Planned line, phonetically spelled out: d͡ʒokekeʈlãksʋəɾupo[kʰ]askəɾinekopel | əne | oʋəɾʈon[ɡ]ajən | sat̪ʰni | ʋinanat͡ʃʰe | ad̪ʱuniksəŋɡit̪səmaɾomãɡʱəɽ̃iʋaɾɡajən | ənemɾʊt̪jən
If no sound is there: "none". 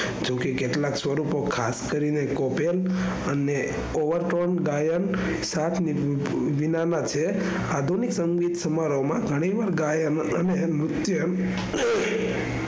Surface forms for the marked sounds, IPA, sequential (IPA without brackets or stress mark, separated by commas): kʰ, ɡ